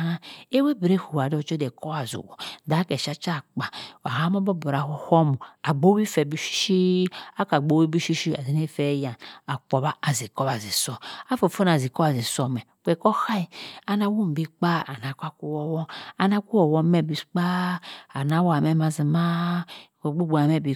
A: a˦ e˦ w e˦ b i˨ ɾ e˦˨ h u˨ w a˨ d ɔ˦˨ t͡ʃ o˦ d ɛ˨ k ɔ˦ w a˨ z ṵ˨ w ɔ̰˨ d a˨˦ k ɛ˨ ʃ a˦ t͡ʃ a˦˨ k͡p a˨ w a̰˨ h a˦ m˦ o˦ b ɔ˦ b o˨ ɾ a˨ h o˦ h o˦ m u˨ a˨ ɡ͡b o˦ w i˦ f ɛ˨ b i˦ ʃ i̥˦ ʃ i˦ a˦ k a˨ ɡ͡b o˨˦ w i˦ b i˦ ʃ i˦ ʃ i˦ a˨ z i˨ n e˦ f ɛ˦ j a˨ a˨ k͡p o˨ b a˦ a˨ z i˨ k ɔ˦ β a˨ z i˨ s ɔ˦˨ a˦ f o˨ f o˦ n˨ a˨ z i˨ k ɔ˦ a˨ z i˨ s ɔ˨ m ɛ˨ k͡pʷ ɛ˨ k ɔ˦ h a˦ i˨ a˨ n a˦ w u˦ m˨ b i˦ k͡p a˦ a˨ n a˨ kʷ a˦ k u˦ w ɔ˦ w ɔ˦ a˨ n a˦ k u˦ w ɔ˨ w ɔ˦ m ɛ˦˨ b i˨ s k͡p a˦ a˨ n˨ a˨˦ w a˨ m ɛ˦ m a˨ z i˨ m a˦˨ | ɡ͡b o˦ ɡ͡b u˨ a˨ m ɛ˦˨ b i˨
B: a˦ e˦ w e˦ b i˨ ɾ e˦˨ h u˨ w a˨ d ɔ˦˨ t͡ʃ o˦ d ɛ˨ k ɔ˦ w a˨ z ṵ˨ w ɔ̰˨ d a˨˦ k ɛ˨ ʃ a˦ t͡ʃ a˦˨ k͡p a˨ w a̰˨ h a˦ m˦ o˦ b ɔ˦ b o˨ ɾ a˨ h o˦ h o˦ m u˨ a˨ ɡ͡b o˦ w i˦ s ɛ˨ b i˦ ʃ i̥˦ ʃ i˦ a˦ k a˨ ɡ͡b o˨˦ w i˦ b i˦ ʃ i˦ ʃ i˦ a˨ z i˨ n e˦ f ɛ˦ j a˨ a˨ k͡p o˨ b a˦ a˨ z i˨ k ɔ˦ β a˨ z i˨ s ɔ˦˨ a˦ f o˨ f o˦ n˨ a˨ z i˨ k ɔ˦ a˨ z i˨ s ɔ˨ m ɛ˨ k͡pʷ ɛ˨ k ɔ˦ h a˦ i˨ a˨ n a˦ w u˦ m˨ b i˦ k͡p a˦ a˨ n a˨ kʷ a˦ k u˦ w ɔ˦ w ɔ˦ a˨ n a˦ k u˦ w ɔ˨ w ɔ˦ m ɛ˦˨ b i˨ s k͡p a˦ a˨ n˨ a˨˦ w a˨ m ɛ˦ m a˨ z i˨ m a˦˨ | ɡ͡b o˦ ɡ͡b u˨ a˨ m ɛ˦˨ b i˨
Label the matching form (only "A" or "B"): A